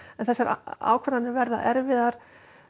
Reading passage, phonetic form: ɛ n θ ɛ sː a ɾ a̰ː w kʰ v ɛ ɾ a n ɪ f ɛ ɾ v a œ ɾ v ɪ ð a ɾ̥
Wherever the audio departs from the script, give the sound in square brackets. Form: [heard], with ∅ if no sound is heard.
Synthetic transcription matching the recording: ɛ n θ ɛ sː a ɾ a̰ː w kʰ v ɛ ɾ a n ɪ [v] ɛ ɾ [ð] a [ɛ] ɾ v ɪ ð a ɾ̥